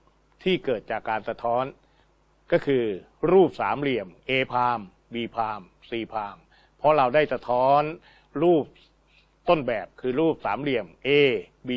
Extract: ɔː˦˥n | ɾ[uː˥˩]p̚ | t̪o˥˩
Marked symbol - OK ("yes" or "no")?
yes